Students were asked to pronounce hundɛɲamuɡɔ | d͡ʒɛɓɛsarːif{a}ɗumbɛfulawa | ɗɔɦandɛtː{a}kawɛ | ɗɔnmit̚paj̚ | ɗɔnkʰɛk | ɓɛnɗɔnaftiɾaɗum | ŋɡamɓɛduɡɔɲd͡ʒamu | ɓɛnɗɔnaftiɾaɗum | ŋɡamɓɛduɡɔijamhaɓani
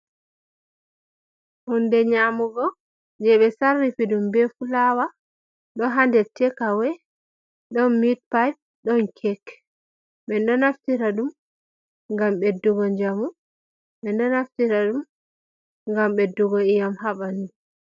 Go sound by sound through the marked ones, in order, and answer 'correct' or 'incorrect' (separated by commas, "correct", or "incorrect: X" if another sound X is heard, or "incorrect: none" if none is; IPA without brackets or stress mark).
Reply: incorrect: i, incorrect: ɛ